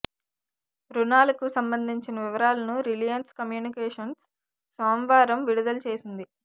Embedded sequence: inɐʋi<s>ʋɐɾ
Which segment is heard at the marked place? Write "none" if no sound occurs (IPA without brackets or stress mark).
none